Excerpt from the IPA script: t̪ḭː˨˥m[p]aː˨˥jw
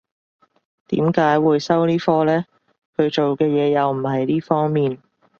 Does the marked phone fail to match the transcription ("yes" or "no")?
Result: yes